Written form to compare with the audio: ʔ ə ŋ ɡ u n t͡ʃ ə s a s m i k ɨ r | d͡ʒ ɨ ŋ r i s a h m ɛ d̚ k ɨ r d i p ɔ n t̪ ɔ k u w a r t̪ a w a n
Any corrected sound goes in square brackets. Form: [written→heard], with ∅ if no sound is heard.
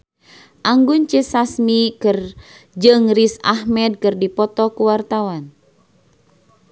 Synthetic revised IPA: ʔ [ə→a] ŋ ɡ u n t͡ʃ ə s a s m i k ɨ r | d͡ʒ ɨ ŋ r i s a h m ɛ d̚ k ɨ r d i p ɔ [n→∅] t̪ ɔ k u w a r t̪ a w a n

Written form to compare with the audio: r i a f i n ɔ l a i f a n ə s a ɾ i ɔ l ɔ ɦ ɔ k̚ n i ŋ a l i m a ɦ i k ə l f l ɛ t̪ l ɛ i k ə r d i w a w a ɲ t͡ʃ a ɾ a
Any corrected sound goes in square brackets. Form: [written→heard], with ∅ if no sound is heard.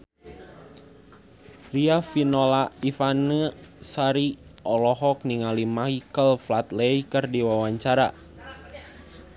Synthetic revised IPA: r i a f i n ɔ l a i f a n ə s a ɾ i ɔ l ɔ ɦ ɔ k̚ n i ŋ a l i m a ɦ i k ə l f l [ɛ→a] t̪ l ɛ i k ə r d i w a w a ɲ t͡ʃ a ɾ a

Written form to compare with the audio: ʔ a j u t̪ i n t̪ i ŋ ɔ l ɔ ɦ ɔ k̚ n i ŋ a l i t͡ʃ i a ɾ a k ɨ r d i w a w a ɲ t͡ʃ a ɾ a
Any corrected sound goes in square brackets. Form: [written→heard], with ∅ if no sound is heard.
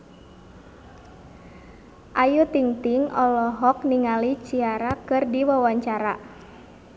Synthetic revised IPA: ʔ a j u t̪ i [n→ŋ] t̪ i ŋ ɔ l ɔ ɦ ɔ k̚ n i ŋ a l i t͡ʃ i a ɾ a k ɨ r d i w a w a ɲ t͡ʃ a ɾ a

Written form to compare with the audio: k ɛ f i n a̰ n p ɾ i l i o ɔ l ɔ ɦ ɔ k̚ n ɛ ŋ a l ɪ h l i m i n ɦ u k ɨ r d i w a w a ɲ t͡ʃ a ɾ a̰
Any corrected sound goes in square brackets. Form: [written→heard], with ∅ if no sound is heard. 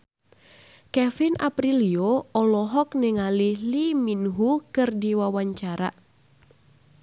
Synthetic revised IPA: k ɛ f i n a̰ [n→∅] p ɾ i l i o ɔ l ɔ ɦ ɔ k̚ n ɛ ŋ a l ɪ h l i m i n ɦ u k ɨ r d i w a w a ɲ t͡ʃ a ɾ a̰

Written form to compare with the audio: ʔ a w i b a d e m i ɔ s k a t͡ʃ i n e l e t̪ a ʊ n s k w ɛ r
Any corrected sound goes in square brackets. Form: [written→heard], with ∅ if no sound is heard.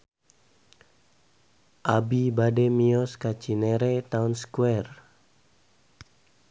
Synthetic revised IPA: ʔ a [w→b] i b a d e m i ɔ s k a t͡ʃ i n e [l→ɾ] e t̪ a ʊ n s k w ɛ r

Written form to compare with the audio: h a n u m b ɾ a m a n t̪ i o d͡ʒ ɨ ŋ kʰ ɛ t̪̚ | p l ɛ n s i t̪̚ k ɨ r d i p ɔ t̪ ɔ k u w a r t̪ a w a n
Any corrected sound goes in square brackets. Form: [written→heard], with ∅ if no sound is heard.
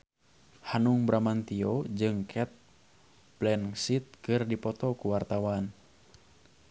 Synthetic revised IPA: h a n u [m→ŋ] b ɾ a m a n t̪ i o d͡ʒ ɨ ŋ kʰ ɛ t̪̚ | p l ɛ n s i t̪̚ k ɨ r d i p ɔ t̪ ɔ k u w a r t̪ a w a n

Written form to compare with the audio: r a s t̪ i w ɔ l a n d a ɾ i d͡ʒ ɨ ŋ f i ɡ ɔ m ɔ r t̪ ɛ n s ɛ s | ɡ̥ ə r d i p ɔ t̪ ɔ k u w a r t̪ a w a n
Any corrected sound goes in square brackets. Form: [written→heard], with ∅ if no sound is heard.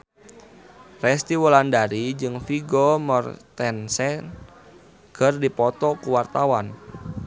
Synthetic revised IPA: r [a→ɛ] s t̪ i w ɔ l a n d a ɾ i d͡ʒ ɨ ŋ f i ɡ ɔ m ɔ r t̪ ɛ n s ɛ [s→∅] | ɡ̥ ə r d i p ɔ t̪ ɔ k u w a r t̪ a w a n

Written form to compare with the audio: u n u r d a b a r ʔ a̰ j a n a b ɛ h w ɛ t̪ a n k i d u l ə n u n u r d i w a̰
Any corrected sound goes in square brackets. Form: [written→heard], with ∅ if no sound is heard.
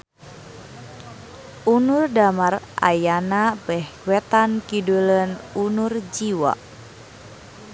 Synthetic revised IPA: u n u r d a [b→m] a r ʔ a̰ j a n a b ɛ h w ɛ t̪ a n k i d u l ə n u n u r [d→d͡ʒ] i w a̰

